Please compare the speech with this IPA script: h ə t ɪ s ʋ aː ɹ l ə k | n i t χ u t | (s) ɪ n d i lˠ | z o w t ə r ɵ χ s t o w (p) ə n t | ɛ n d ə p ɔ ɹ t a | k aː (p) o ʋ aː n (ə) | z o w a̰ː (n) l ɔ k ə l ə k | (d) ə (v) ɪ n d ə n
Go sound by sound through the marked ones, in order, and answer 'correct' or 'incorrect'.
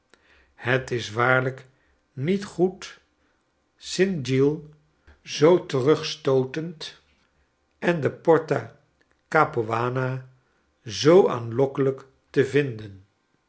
correct, incorrect, correct, incorrect, correct, incorrect, correct

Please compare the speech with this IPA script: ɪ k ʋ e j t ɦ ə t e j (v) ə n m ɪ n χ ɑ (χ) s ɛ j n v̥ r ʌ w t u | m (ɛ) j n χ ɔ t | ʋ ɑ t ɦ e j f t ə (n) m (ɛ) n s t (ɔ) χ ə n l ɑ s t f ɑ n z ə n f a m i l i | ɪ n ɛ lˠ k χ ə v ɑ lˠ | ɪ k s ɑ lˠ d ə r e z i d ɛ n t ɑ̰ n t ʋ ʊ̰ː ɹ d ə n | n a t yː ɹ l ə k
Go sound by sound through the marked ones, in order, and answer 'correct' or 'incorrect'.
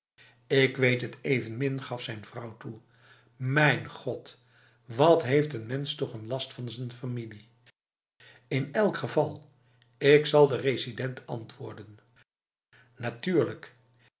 correct, incorrect, correct, correct, correct, correct

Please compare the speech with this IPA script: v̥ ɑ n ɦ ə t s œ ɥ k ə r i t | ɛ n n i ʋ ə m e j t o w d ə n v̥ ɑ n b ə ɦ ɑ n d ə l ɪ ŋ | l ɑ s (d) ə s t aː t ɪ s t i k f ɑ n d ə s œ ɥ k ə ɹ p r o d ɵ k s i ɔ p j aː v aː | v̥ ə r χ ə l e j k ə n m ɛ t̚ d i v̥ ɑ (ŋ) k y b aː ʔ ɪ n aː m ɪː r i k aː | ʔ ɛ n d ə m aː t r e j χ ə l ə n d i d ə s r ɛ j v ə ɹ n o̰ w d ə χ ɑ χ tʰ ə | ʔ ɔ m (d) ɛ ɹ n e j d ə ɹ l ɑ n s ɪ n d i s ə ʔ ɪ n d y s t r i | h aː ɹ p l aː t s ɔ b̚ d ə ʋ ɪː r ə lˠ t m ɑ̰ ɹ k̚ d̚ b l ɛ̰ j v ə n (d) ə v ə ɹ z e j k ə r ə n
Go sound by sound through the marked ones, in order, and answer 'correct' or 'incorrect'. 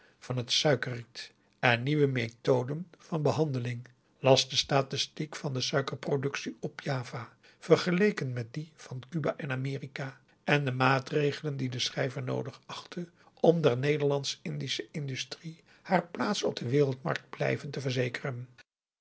correct, incorrect, correct, incorrect

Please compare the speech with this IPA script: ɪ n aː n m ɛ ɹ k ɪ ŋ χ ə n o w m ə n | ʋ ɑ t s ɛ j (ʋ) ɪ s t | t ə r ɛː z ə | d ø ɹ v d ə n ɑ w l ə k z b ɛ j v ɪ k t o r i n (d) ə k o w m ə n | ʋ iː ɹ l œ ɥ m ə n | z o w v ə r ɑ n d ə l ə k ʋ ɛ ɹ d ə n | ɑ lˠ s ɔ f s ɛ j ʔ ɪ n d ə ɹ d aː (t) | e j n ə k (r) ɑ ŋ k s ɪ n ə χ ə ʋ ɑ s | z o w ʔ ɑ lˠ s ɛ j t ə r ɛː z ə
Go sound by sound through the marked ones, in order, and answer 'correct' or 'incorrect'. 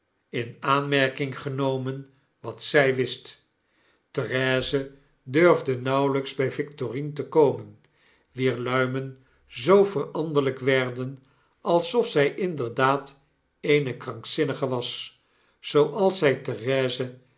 correct, incorrect, correct, correct

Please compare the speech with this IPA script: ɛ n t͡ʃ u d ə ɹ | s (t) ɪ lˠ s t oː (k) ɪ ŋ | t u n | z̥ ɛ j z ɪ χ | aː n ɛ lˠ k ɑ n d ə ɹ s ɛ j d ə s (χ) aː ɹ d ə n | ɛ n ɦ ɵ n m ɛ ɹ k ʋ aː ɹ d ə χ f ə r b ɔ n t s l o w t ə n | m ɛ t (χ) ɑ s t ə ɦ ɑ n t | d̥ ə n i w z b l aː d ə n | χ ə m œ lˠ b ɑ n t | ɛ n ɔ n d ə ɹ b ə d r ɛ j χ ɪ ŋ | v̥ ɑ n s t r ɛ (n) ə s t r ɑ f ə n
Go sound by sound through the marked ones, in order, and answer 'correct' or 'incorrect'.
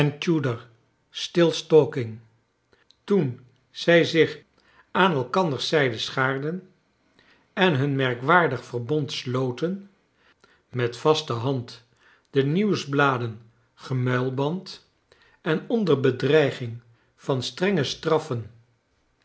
correct, correct, correct, incorrect, incorrect

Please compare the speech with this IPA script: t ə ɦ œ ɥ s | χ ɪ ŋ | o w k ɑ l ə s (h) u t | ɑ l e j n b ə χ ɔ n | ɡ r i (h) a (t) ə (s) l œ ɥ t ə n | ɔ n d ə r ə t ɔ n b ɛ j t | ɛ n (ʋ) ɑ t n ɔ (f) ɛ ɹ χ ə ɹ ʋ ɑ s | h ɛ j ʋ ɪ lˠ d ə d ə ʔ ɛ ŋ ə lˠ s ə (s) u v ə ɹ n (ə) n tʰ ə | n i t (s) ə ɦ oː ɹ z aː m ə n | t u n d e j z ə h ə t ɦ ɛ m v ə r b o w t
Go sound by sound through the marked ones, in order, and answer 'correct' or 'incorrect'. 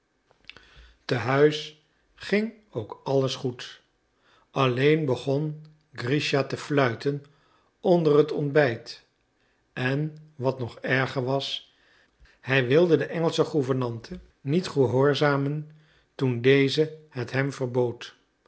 incorrect, incorrect, correct, incorrect, correct, incorrect, incorrect, incorrect, incorrect

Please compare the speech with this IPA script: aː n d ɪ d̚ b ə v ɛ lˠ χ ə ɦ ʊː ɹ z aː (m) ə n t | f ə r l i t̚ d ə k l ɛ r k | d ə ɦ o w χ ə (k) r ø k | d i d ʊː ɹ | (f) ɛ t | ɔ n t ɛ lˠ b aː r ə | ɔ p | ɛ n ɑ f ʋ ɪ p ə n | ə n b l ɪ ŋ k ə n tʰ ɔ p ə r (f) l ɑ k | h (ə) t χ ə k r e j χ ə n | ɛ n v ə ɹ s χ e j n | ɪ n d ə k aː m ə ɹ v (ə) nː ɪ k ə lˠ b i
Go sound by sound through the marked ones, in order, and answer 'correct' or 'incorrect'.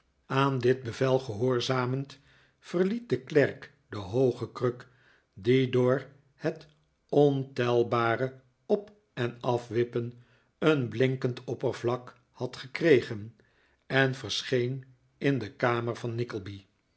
correct, correct, incorrect, incorrect, incorrect, incorrect

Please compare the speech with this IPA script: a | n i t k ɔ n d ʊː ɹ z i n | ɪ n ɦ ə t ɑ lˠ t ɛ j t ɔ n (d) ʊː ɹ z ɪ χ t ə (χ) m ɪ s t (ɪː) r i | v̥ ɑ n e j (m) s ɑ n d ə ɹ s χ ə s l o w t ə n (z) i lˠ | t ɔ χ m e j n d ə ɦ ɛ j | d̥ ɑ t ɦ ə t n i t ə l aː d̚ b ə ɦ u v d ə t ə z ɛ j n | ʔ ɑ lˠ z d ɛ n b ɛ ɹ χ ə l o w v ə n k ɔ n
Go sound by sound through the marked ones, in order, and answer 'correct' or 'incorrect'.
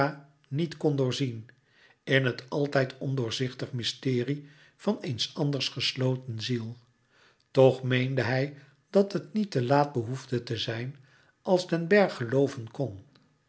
correct, correct, correct, incorrect, correct

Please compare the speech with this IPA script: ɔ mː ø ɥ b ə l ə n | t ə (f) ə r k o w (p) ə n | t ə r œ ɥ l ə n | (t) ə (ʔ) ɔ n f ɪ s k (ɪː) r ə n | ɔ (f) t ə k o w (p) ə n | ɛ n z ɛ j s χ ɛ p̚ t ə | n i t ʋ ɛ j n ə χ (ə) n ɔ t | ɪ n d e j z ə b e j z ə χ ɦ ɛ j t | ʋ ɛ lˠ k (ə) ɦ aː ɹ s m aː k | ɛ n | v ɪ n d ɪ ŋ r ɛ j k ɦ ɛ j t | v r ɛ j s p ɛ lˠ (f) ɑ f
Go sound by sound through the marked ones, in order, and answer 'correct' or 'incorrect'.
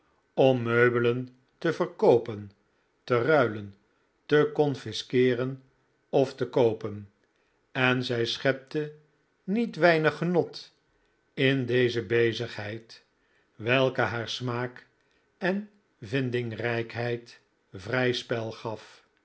incorrect, correct, correct, incorrect, correct, correct, correct, correct, correct, incorrect

